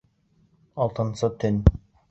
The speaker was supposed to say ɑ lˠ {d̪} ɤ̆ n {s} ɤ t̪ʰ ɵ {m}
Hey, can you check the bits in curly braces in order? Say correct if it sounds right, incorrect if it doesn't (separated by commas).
incorrect, correct, incorrect